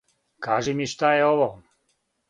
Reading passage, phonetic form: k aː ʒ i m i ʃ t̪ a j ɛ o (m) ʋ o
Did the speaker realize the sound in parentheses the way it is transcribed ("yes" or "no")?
no